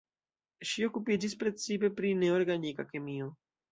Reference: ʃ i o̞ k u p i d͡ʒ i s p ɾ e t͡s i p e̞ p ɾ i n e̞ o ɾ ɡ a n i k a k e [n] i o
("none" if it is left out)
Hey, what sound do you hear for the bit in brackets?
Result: m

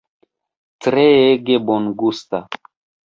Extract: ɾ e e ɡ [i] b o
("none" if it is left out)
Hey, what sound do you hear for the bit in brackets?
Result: e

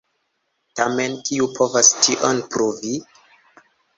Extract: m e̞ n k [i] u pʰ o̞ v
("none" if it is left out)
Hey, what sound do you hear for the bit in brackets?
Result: i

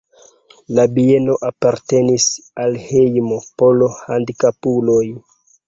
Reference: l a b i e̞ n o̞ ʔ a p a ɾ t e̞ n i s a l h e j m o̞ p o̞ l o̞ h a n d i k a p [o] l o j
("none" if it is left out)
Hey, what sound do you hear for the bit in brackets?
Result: u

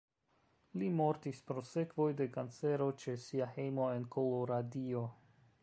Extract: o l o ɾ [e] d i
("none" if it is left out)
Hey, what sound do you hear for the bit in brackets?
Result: a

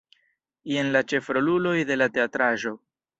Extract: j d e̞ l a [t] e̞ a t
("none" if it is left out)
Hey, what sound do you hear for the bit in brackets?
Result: t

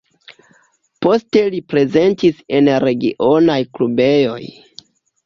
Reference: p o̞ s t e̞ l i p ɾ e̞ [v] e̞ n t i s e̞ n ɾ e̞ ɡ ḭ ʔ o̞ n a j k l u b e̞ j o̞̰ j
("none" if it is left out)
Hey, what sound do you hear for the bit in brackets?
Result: z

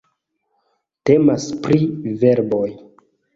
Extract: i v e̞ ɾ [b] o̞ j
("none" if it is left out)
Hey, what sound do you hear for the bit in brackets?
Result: b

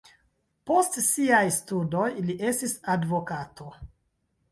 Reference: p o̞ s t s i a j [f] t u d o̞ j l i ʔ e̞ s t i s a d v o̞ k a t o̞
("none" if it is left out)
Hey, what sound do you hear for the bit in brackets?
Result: s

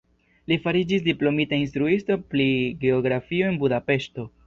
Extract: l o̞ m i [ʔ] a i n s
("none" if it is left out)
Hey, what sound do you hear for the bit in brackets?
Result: t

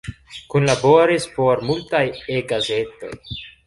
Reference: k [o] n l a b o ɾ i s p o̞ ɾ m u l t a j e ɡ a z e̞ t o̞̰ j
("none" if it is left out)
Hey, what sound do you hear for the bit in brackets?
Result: u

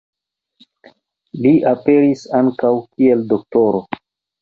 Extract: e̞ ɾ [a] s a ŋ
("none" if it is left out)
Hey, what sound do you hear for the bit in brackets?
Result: i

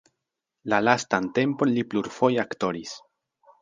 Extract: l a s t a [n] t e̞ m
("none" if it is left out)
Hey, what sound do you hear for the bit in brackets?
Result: n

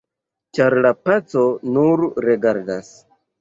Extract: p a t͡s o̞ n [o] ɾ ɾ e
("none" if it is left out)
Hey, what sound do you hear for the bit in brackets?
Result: u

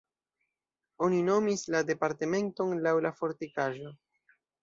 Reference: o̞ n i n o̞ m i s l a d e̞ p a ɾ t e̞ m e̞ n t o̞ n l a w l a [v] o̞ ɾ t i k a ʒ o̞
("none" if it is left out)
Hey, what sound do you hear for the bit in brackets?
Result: f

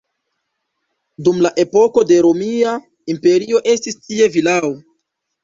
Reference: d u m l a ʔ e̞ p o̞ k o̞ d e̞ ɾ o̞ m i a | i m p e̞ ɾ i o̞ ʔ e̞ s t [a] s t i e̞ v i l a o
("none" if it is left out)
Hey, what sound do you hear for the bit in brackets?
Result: i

